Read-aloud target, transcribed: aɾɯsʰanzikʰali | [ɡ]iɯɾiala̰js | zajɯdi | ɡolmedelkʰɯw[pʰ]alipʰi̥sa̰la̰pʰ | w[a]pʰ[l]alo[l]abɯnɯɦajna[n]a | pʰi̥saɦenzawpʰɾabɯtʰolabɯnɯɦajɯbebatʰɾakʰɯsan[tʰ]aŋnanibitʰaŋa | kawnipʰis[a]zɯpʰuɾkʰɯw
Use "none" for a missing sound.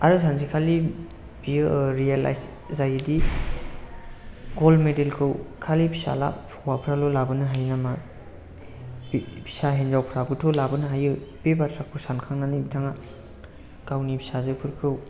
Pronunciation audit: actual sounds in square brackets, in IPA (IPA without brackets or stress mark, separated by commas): b, kʰ, a, ɾ, l, m, kʰ, a